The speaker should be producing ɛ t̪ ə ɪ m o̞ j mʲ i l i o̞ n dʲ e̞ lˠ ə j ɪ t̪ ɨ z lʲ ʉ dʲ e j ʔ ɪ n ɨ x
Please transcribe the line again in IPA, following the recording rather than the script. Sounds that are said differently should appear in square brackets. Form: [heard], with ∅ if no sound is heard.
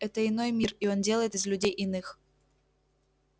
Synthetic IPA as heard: ɛ t̪ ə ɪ [n] o̞ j mʲ i [r] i o̞ n dʲ e̞ lˠ ə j ɪ t̪ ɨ z lʲ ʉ dʲ e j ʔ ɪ n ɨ x

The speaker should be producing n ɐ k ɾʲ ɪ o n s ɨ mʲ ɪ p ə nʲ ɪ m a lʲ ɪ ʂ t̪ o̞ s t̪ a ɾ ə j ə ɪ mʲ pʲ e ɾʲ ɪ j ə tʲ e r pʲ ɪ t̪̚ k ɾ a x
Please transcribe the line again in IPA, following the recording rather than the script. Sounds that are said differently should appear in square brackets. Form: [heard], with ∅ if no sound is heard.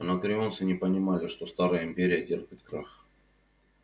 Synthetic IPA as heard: n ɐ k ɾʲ ɪ o n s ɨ [nʲ] ɪ p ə nʲ ɪ m a lʲ ɪ ʂ t̪ o̞ s t̪ a ɾ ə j ə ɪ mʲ pʲ e ɾʲ ɪ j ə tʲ e r pʲ ɪ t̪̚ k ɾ a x

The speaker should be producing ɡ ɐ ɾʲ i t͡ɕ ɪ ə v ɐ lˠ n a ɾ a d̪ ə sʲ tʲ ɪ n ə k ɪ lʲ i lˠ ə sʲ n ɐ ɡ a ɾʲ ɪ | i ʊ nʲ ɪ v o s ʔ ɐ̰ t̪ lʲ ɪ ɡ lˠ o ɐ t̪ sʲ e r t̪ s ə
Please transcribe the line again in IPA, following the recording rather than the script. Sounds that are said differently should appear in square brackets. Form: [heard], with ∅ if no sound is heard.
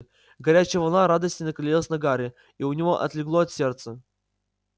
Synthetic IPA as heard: ɡ ɐ ɾʲ [æ] t͡ɕ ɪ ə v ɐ lˠ n a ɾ a d̪ ə sʲ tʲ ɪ n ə k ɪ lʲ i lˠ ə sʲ n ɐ ɡ a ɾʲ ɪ | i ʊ nʲ ɪ v o [∅] ʔ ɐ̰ t̪ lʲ ɪ ɡ lˠ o ɐ t̪ sʲ e r t̪ s ə

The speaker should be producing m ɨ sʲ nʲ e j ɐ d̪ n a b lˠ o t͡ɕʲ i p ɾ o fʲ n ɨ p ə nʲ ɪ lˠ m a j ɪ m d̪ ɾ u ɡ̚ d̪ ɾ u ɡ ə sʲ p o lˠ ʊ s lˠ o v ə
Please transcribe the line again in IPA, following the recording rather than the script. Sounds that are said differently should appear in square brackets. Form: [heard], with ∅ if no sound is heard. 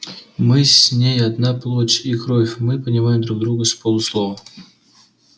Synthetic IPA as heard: m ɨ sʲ nʲ e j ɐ d̪ n a [p] lˠ o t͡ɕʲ i [k] ɾ o fʲ [m] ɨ p ə nʲ ɪ [∅] m a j ɪ m d̪ ɾ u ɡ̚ d̪ ɾ u ɡ ə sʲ p o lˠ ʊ s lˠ o v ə

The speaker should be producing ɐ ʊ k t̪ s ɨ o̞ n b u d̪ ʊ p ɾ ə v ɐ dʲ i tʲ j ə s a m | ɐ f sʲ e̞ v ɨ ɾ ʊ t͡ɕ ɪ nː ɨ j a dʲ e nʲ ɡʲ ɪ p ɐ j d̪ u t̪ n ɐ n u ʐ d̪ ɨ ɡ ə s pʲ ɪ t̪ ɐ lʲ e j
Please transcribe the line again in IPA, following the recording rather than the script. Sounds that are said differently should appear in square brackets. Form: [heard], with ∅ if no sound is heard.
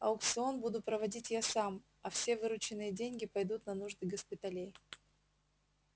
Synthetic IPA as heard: ɐ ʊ k t̪ s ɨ o̞ n b u d̪ ʊ p ɾ ə v ɐ dʲ i tʲ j [a] s a m | ɐ f sʲ e̞ v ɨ ɾ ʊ t͡ɕ ɪ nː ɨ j [ə] dʲ e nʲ ɡʲ ɪ p ɐ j d̪ u t̪ n ɐ n u ʐ d̪ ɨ ɡ ə s pʲ ɪ t̪ ɐ lʲ e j

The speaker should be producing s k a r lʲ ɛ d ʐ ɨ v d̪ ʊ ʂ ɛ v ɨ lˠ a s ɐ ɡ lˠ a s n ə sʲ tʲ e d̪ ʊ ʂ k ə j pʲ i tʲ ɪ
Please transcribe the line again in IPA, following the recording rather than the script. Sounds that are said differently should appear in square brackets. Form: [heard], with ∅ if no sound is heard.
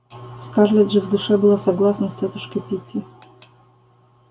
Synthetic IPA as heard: s k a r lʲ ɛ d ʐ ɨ v d̪ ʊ ʂ ɛ [b] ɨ lˠ a s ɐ ɡ lˠ a s n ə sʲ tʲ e [t̪] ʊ ʂ k ə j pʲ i tʲ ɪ

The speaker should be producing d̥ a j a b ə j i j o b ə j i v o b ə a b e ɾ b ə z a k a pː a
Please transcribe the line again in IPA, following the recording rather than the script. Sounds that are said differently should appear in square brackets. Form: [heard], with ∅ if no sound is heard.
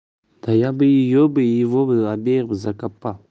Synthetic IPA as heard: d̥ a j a b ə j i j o b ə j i v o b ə a b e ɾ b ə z a k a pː a

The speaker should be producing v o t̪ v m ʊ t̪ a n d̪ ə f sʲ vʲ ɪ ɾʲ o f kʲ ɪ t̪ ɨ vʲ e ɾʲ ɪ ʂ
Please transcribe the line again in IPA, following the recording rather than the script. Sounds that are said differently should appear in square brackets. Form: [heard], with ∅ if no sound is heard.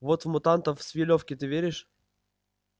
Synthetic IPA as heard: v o t̪ v m ʊ t̪ a n [t̪] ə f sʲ vʲ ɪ [lʲ] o f kʲ ɪ t̪ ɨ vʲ e ɾʲ ɪ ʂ

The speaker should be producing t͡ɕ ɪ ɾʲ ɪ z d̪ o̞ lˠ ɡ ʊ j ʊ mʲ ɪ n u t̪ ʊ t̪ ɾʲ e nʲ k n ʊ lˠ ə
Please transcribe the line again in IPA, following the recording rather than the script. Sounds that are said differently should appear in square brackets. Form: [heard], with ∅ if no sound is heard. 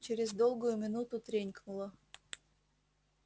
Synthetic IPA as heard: t͡ɕ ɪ ɾʲ ɪ z d̪ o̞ lˠ ɡ ʊ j ʊ mʲ ɪ n u t̪ ʊ t̪ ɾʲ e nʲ k n ʊ lˠ ə

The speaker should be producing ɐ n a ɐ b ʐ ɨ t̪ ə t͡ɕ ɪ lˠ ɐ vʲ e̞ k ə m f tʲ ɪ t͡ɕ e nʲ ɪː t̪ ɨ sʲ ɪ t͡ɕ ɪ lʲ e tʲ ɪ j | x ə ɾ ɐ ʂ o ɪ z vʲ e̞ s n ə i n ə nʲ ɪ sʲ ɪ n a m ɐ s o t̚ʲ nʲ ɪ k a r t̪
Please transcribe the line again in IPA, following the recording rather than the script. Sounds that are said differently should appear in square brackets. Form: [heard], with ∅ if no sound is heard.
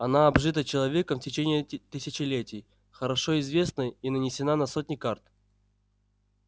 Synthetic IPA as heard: ɐ n a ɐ b ʐ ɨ t̪ ə t͡ɕ ɪ lˠ ɐ vʲ e̞ k ə m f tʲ ɪ t͡ɕ e nʲ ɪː t̪ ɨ sʲ ɪ t͡ɕ ɪ lʲ e tʲ ɪ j | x ə ɾ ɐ ʂ o ɪ z vʲ e̞ s n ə i n ə nʲ ɪ sʲ ɪ n a [n] ɐ s o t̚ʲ nʲ ɪ k a r t̪

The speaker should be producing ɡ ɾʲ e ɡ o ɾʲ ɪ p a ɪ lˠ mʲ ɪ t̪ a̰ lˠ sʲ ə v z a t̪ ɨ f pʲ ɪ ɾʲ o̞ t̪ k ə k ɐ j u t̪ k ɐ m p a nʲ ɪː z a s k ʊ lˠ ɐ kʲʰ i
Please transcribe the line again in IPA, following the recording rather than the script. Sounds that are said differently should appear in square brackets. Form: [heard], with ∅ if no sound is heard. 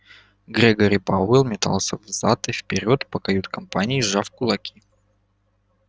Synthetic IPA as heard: ɡ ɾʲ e ɡ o ɾʲ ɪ p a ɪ lˠ mʲ ɪ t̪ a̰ lˠ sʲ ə v z a t̪ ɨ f pʲ ɪ ɾʲ o̞ t̪ [p] ə k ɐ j u t̪ k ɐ m p a nʲ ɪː [ʐ] a [f] k ʊ lˠ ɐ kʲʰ i

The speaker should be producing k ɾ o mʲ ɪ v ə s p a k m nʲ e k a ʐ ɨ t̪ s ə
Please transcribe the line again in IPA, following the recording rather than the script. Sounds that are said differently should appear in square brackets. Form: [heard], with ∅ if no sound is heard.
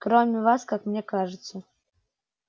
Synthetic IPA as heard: k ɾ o mʲ ɪ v [a] s [k] a k m nʲ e k a ʐ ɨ t̪ s ə

